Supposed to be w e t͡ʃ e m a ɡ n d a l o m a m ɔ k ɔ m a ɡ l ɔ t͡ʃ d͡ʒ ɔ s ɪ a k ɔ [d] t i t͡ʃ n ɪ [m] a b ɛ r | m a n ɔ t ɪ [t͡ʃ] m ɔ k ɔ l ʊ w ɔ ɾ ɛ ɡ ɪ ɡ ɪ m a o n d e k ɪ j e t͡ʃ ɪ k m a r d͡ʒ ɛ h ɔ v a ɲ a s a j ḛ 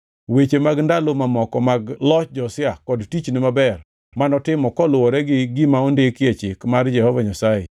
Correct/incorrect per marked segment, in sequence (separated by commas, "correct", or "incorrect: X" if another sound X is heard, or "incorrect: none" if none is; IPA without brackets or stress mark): correct, correct, incorrect: none